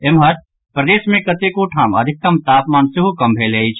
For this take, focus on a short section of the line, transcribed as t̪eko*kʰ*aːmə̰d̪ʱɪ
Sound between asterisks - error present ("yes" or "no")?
yes